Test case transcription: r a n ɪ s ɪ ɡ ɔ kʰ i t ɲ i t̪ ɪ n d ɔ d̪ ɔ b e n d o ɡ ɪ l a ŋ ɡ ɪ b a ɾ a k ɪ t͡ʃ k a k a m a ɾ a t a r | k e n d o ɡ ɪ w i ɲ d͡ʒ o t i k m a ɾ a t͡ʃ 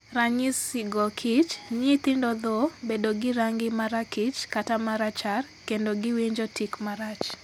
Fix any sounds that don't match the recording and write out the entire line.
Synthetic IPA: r a ɲ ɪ s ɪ ɡ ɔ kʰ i t͡ʃ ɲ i t̪ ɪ n d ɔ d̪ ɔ b e d o ɡ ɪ ɾ a ŋ ɡ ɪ m a ɾ a k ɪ t͡ʃ k a t a m a ɾ a t͡ʃ a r | k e n d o ɡ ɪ w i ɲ d͡ʒ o t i k m a ɾ a t͡ʃ